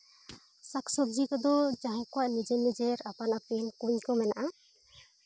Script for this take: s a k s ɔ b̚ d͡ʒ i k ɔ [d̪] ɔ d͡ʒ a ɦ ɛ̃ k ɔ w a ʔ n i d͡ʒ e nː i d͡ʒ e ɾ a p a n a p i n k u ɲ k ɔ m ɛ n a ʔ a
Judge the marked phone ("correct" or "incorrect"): correct